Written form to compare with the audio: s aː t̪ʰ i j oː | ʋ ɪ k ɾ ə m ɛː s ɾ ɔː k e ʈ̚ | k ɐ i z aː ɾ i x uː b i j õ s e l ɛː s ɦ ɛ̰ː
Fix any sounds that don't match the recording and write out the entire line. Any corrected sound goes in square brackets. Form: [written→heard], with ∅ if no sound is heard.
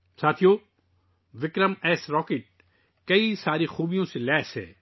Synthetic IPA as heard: s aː t̪ʰ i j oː | ʋ ɪ k ɾ ə m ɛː s ɾ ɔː k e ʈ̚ | k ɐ i [z→s] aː ɾ i x uː b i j õ s e l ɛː s ɦ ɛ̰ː